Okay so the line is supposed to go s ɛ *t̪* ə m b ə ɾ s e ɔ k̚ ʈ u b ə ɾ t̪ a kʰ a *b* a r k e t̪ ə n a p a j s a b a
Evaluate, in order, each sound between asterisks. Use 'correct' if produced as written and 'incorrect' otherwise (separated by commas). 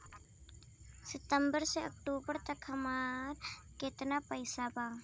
correct, incorrect